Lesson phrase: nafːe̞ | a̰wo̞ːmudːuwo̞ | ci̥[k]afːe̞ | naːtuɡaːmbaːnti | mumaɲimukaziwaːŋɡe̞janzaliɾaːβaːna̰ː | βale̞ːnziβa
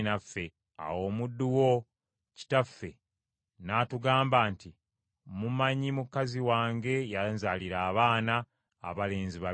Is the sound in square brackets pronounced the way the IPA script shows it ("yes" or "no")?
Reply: no